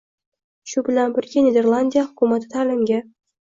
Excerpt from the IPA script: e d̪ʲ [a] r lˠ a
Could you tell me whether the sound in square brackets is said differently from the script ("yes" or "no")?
yes